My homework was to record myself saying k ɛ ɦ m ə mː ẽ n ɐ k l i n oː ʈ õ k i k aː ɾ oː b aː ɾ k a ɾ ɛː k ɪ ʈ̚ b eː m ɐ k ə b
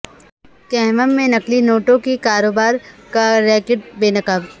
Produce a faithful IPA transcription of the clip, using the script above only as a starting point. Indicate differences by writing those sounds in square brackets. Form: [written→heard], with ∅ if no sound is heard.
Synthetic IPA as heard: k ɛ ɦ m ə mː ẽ n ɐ k l i n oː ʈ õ k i k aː ɾ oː b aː ɾ k a ɾ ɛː k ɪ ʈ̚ b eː [m→n] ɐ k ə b